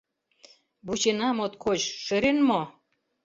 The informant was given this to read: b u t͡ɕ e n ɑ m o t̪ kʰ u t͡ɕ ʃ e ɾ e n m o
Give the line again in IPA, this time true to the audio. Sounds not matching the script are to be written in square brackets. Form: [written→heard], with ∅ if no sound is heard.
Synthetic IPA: b u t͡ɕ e n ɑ m o t̪ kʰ [u→o] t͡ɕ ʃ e ɾ e n m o